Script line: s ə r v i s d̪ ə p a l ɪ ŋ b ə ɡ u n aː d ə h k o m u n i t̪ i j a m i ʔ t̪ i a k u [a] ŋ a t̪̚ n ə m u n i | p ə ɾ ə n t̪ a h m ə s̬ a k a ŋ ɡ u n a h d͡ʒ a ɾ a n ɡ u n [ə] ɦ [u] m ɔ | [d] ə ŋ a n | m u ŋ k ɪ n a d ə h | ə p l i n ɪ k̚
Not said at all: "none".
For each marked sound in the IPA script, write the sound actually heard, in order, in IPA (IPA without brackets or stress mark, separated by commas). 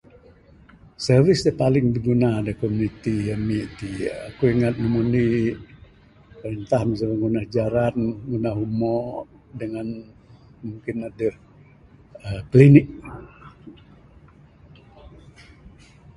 i, a, u, d